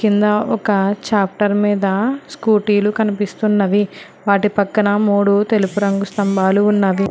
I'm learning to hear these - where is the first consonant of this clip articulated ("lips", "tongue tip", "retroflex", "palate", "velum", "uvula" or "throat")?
velum